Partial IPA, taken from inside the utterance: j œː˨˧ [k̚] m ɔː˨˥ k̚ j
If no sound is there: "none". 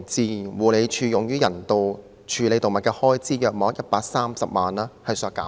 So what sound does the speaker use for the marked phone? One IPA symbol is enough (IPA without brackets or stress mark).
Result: k̚